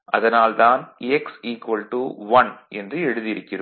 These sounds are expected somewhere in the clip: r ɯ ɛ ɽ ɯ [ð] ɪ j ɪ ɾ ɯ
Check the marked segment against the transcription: correct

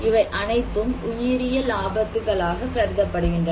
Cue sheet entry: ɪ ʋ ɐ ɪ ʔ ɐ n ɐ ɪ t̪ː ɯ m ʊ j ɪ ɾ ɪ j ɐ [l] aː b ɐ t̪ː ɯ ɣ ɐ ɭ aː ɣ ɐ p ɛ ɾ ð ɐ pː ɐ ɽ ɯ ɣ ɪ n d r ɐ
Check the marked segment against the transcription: correct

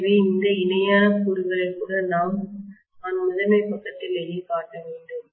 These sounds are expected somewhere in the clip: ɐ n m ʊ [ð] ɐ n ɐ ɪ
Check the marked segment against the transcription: correct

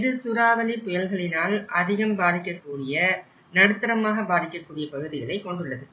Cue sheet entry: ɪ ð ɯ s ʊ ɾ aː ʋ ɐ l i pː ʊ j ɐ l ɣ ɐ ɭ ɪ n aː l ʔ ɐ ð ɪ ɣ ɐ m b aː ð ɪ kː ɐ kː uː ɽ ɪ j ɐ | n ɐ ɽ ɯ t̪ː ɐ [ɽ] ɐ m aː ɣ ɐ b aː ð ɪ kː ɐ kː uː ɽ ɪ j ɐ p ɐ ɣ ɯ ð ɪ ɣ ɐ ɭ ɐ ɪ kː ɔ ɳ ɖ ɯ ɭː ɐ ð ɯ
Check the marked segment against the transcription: incorrect: ɾ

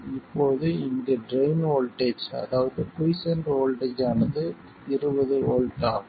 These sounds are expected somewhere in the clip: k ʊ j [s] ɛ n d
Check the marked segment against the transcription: correct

